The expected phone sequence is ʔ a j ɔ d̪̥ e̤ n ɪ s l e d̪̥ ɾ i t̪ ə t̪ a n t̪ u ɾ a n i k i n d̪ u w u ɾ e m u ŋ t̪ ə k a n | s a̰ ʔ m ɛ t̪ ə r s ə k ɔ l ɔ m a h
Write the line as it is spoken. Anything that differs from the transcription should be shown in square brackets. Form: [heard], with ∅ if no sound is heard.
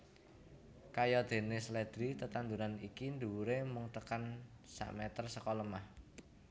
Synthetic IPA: [k] a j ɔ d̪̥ e̤ n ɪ s l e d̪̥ ɾ i t̪ ə t̪ a n [d̪] u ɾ a n i k i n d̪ u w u ɾ e m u ŋ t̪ ə k a n | s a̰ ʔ m ɛ t̪ ə r s ə k ɔ l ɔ m a h